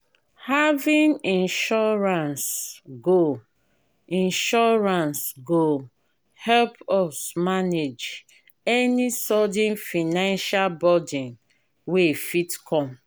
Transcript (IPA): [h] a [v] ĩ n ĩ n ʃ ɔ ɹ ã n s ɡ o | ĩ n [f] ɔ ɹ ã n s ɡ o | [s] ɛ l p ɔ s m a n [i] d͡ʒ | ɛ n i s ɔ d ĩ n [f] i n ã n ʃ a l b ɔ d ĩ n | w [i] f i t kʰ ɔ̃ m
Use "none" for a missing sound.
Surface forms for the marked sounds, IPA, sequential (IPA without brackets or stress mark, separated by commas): h, v, ʃ, h, e, f, e